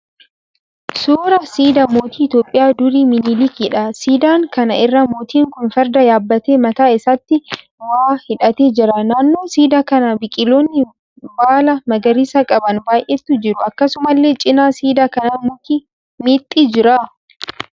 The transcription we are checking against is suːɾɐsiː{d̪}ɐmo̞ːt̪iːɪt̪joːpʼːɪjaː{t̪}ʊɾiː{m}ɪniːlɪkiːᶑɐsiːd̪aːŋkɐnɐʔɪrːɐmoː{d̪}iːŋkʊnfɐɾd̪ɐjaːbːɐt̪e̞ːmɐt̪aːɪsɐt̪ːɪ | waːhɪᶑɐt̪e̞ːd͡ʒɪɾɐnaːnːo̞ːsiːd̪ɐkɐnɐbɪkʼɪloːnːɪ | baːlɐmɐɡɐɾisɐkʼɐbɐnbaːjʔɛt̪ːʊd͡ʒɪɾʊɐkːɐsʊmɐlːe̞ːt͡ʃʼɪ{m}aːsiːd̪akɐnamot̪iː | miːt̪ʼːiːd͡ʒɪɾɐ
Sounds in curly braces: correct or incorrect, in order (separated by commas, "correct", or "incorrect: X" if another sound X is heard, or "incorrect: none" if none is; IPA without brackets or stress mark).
correct, incorrect: d̪, correct, incorrect: t̪, incorrect: n